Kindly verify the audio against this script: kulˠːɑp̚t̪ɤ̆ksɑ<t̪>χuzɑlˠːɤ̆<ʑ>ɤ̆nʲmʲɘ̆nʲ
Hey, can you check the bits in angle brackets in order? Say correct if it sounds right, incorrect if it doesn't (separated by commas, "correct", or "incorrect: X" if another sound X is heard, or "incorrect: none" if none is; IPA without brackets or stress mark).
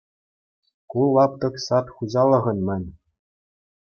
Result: correct, incorrect: ʁ